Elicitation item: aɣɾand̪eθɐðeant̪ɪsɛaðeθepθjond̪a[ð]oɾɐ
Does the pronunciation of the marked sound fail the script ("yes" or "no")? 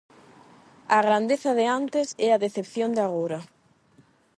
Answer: yes